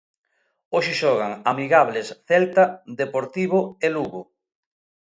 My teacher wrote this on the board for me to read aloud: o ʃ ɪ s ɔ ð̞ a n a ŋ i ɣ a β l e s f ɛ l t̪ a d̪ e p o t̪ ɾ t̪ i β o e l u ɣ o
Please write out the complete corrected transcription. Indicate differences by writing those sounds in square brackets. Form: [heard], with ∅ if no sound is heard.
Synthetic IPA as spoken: o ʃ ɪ [ʃ] ɔ [ɣ̞] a [ŋ] a [m] i ɣ a β l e s [θ] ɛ l t̪ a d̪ e p o [∅] ɾ t̪ i β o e l u ɣ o

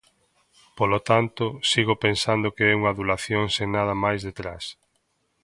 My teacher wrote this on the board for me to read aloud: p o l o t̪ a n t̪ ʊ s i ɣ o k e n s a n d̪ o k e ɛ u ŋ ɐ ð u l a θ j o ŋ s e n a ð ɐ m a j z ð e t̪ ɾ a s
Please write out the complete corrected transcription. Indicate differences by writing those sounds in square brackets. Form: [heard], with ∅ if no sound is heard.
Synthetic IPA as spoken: p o l o t̪ a n t̪ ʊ s i ɣ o [p] e n s a n d̪ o k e ɛ u ŋ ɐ ð u l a θ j o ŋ s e n a ð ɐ m a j z ð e t̪ ɾ a s

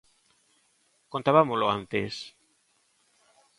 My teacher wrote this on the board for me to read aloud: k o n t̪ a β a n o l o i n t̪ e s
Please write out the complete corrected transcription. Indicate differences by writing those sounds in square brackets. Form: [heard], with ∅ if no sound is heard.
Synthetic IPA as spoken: k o n t̪ a β a [m] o l o [a] n t̪ e s

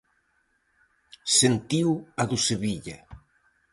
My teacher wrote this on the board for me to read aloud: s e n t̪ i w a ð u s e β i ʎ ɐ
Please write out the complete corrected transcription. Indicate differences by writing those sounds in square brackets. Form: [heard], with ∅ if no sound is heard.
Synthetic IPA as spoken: s e n t̪ i w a ð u s e β i ʎ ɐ

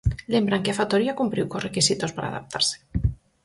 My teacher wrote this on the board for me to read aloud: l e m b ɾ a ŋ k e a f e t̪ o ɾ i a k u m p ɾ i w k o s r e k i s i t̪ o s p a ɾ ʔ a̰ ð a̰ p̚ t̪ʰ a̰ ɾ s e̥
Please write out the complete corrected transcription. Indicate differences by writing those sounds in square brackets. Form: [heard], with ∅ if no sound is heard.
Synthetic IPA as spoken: l e m b ɾ a ŋ k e a f [a] t̪ o ɾ i a k u m p ɾ i w k o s r e k i s i t̪ o s p a ɾ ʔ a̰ ð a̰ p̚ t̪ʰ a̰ ɾ s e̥

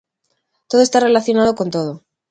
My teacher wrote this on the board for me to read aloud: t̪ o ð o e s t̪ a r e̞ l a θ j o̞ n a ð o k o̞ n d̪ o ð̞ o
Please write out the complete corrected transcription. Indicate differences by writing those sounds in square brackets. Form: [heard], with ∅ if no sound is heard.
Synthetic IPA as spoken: t̪ o ð o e s t̪ a r e̞ l a θ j o̞ n a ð o k o̞ n [t̪] o ð̞ o

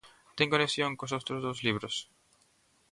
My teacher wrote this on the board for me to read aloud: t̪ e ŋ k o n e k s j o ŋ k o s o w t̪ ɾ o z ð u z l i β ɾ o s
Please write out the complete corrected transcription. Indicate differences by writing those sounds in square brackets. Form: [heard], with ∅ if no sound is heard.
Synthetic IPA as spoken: t̪ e ŋ k o n e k s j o ŋ k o s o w t̪ ɾ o z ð [o] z l i β ɾ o s

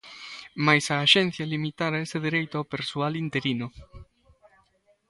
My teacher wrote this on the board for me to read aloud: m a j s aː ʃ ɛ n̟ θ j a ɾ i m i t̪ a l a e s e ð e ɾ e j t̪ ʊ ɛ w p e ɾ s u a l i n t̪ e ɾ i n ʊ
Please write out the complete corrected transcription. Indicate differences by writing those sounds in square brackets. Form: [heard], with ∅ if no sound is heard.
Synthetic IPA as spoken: m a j s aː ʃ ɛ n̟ θ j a [l] i m i t̪ a [ɾ] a e s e ð e ɾ e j t̪ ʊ [a] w p e ɾ s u a l i n t̪ e ɾ i n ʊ

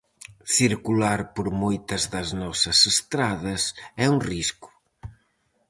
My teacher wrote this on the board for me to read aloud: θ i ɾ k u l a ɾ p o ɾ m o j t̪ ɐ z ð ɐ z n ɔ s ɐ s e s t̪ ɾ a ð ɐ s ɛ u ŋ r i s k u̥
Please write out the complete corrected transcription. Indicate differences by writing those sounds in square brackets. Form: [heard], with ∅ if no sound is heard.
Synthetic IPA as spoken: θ i ɾ k u l a ɾ p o ɾ m o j t̪ ɐ z ð ɐ z n ɔ s ɐ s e s t̪ ɾ a ð ɐ s ɛ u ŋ r i s k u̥

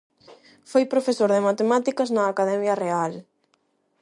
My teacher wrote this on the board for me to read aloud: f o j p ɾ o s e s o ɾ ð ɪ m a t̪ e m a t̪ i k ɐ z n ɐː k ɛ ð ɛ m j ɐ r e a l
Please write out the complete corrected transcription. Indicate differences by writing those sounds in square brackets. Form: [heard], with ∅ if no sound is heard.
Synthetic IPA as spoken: f o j p ɾ o [f] e s o ɾ ð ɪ m a t̪ e m a t̪ i k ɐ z n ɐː k [a] ð ɛ m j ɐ r e a l

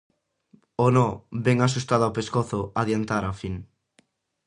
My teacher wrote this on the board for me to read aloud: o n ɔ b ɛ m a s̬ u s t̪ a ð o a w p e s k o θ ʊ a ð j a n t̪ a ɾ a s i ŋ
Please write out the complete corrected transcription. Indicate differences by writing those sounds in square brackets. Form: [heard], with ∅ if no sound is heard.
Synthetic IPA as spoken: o n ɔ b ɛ [ŋ] a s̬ u s t̪ a ð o a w p e s k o θ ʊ a ð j a n t̪ a ɾ a [f] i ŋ

